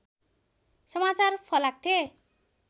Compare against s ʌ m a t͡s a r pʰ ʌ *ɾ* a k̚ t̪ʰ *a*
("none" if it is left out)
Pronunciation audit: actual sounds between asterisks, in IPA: l, e

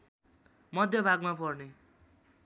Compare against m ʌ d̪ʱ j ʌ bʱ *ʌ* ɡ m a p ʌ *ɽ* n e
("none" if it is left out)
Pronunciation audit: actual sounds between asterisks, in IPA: a, r

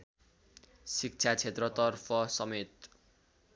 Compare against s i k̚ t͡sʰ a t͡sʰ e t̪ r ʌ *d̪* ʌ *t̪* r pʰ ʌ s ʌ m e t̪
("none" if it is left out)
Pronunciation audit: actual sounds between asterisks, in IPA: t̪, none

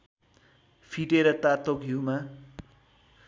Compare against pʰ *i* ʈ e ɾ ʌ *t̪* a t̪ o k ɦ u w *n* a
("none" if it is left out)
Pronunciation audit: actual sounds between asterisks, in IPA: i, t̪, m

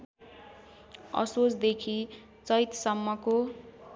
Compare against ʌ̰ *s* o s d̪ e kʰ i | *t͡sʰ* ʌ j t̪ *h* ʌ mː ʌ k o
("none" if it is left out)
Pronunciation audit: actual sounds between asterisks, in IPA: s, t͡s, s

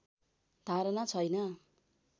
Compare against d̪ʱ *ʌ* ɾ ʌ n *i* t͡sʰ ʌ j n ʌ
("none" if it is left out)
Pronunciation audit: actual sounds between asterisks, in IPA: a, a

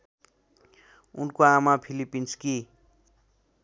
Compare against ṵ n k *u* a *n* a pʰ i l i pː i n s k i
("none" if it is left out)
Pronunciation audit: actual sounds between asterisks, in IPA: o, m

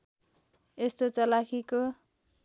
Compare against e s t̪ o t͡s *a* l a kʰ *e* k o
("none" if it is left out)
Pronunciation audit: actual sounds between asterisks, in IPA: ʌ, i

